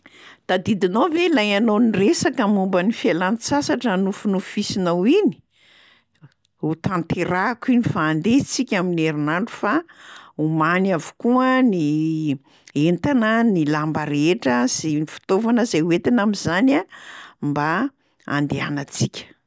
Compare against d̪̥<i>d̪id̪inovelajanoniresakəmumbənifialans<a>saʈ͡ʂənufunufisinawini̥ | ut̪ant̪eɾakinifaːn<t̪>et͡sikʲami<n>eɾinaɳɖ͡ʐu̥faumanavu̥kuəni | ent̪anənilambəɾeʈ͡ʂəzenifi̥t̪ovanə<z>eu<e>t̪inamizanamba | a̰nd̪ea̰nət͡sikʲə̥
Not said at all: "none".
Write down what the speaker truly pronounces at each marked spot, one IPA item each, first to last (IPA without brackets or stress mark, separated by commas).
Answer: a, a, d̪, n, z, e